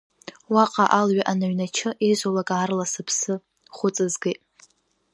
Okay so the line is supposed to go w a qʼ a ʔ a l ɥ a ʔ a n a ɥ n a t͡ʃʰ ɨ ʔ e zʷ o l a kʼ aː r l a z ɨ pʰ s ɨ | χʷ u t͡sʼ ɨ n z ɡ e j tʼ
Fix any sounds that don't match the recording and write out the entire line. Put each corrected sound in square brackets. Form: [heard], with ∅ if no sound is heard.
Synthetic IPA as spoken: w a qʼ a ʔ a l ɥ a ʔ a n a ɥ n a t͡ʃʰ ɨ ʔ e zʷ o l a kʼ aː r l a [s] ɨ pʰ s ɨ | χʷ [ʊ] t͡sʼ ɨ [∅] z ɡ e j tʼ